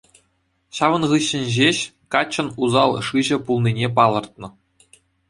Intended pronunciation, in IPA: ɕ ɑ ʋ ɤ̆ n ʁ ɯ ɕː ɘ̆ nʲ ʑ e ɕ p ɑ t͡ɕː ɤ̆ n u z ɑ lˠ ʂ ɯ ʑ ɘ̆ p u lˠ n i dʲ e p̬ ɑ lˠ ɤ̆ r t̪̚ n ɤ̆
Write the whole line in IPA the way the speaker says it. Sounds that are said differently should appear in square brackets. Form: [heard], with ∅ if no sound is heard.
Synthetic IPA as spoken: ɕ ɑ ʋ ɤ̆ n ʁ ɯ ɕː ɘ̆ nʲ ʑ e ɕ [k] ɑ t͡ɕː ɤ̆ n u z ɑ lˠ ʂ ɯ ʑ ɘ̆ p u lˠ n i [nʲ] e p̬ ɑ lˠ ɤ̆ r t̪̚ n ɤ̆